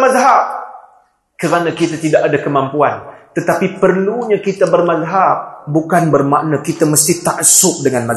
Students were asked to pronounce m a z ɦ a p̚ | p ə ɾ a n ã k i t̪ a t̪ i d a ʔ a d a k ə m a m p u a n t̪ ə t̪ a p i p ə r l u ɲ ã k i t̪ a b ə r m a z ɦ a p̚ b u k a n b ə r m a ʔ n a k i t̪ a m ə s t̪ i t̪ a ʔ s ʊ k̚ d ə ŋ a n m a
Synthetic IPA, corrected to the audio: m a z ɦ a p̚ | k ə ɾ a n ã k i t̪ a t̪ i d a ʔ a d a k ə m a m p u a n t̪ ə t̪ a p i p ə r l u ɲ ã k i t̪ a b ə r m a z ɦ a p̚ b u k a n b ə r m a ʔ n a k i t̪ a m ə s t̪ i t̪ a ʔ s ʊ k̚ d ə ŋ a n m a